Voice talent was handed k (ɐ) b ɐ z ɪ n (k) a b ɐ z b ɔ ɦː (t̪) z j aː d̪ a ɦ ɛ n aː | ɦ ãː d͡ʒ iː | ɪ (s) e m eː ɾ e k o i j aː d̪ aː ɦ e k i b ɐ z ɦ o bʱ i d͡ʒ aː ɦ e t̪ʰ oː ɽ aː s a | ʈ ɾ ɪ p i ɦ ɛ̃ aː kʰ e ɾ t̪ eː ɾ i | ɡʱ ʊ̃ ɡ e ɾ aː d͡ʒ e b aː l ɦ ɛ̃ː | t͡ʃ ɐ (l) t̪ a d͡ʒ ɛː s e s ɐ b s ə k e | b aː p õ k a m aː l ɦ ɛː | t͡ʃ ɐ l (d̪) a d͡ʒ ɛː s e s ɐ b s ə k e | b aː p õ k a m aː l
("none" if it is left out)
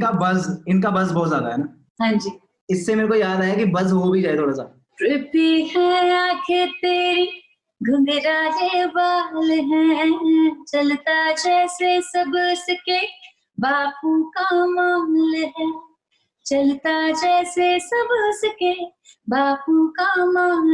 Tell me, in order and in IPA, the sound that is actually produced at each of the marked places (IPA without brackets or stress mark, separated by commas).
a, k, t̪, sː, l, t̪